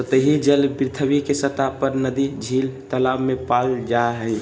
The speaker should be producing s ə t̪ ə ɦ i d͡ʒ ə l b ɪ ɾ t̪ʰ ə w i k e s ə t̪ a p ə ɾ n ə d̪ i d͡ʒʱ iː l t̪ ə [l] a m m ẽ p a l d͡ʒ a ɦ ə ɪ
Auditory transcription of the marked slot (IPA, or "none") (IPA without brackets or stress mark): l